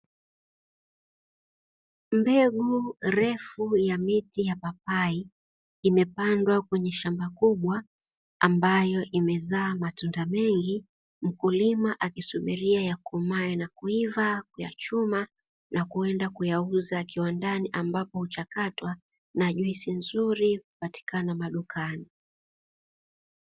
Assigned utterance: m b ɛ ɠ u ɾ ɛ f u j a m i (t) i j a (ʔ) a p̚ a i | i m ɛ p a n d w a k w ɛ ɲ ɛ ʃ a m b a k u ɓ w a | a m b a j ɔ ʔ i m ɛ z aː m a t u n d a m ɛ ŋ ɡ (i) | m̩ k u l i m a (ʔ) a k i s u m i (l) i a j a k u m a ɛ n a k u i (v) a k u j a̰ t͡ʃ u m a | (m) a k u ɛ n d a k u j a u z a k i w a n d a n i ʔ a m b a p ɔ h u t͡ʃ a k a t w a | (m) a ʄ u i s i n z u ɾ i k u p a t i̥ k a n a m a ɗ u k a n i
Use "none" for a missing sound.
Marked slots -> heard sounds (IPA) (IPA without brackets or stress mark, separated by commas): t, p, i, ʔ, ɾ, v, n, n